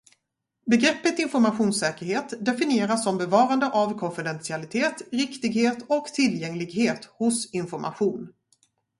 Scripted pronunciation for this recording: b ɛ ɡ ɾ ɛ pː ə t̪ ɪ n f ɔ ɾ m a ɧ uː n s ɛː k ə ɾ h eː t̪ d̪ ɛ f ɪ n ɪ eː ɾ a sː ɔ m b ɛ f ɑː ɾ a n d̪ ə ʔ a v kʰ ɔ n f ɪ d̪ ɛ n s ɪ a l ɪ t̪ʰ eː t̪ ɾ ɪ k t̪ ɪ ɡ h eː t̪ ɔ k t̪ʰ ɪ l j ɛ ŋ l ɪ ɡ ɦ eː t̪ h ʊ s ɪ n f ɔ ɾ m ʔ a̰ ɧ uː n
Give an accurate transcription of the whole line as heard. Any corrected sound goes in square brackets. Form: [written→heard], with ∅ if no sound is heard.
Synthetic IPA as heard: b ɛ ɡ ɾ ɛ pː ə t̪ ɪ n f ɔ ɾ m a ɧ uː n s ɛː k ə ɾ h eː t̪ d̪ ɛ f ɪ n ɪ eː ɾ a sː ɔ m b ɛ [f→v] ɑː ɾ a n d̪ ə ʔ a v kʰ ɔ n f ɪ d̪ ɛ n s ɪ a l ɪ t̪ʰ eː t̪ ɾ ɪ k t̪ ɪ ɡ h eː t̪ ɔ k t̪ʰ ɪ l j ɛ ŋ l ɪ ɡ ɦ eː t̪ h ʊ s ɪ n f ɔ ɾ m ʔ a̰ ɧ uː n